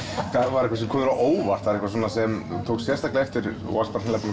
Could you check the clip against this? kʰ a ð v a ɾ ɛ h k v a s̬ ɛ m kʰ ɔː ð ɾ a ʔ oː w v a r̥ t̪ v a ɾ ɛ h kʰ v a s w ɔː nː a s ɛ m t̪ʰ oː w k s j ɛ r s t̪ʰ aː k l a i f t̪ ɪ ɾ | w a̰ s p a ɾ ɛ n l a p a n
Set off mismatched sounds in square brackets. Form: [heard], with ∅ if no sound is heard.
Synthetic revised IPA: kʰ a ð v a ɾ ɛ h k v a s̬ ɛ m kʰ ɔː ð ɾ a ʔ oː w v a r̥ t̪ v a ɾ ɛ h [k] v a s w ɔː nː a s ɛ m t̪ʰ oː w k s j ɛ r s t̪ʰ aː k l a [ɛ] f t̪ ɪ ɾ | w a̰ s p a ɾ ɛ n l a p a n